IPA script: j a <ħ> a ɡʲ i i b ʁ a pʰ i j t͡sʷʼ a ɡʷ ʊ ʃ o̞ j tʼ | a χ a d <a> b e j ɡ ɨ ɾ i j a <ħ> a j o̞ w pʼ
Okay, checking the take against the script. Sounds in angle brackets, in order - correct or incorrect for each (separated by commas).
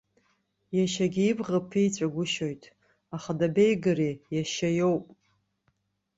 incorrect, correct, incorrect